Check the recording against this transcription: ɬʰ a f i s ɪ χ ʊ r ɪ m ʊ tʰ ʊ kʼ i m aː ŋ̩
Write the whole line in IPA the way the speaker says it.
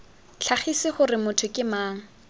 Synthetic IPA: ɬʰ a χ i s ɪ χ ʊ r ɪ m ʊ tʰ ʊ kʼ ɪ m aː ŋ̩

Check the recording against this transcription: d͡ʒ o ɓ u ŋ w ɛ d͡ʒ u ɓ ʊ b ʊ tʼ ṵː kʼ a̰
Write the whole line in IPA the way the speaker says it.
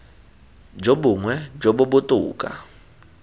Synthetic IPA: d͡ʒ o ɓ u ŋ w ɛ d͡ʒ o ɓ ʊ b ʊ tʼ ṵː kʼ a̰

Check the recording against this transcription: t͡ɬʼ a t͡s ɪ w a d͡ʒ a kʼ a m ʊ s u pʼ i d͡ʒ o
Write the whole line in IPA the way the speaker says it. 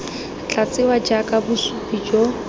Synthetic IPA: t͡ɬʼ a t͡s ɪ w a d͡ʒ a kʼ a b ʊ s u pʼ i d͡ʒ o

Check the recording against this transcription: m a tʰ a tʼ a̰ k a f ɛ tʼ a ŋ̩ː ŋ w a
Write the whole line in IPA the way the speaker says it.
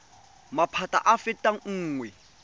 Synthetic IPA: m a pʰ a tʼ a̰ ʔ a f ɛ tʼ a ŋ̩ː ŋ w ɛ

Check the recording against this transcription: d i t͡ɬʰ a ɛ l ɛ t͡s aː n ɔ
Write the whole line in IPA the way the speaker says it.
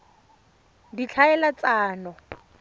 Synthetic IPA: d i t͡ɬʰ a ɛ l a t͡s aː n ɔ

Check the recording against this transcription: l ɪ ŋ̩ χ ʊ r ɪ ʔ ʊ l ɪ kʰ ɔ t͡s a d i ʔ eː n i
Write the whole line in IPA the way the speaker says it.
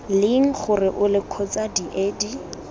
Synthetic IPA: l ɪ ŋ̩ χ ʊ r ɪ ʔ ʊ l ɪ kʰ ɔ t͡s a d i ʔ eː d i

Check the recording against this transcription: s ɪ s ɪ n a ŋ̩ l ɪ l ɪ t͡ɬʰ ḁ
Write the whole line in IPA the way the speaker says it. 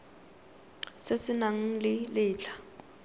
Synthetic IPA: s ɪ s ɪ n a ŋ̩ l ɪ l ɪː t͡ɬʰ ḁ

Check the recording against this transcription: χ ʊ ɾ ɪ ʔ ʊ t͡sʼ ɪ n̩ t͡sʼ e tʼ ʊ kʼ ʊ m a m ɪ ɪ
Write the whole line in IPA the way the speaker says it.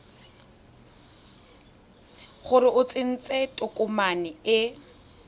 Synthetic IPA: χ ʊ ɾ ɪ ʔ ʊ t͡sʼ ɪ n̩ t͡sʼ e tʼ ʊ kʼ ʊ m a n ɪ ɪ

